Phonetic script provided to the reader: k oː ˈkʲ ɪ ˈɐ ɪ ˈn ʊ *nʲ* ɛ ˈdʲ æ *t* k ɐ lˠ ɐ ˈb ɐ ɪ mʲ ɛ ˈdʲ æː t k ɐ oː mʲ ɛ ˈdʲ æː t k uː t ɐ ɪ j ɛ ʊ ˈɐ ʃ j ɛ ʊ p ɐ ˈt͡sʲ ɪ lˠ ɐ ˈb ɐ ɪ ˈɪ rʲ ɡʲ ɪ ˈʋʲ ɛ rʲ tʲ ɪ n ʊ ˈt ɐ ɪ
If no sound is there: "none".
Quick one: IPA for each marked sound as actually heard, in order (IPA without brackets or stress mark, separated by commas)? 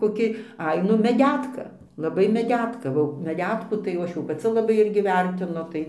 mʲ, t